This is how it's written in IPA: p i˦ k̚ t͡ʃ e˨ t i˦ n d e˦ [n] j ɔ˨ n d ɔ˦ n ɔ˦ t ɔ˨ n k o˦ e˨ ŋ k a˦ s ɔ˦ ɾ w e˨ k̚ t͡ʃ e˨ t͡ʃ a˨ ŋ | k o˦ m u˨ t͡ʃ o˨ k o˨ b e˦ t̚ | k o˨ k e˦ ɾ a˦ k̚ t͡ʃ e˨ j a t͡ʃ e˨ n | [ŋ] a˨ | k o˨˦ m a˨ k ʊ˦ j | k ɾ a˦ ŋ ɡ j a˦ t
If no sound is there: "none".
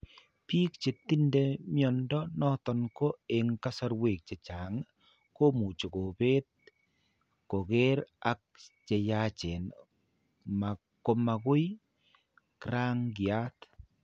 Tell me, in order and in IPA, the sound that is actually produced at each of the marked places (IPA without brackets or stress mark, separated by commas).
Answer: m, m